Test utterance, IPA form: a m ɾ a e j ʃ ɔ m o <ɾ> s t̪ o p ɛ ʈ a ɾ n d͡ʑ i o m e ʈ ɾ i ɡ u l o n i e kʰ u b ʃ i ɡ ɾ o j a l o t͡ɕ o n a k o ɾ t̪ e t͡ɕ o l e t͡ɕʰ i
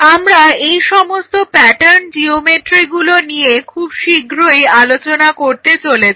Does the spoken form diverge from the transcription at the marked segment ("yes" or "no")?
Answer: yes